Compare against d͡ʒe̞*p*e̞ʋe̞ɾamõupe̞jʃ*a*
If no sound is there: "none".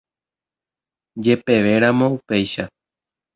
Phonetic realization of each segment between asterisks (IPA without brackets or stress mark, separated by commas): p, a